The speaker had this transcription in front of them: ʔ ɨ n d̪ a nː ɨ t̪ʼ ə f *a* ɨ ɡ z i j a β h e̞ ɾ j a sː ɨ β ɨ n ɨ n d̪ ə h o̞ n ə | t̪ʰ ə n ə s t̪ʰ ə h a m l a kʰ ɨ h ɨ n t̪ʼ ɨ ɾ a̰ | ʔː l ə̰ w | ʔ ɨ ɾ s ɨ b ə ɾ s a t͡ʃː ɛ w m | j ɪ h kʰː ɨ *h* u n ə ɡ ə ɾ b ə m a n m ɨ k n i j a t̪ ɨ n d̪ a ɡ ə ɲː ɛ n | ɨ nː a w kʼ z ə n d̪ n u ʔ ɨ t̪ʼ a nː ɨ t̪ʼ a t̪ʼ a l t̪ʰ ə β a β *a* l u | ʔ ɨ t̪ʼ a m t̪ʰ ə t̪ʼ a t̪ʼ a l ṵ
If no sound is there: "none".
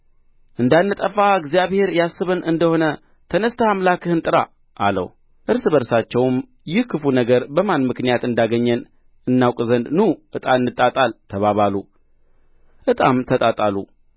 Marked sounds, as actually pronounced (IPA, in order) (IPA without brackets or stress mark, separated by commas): a, f, a